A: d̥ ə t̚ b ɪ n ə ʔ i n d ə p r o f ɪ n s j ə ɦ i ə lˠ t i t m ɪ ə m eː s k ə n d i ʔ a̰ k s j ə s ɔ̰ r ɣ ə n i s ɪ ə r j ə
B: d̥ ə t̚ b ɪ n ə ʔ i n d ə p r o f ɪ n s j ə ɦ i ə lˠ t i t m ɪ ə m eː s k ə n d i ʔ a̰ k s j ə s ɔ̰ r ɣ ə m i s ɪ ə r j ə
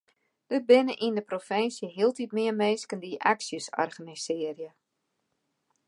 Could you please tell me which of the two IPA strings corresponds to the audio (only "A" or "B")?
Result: A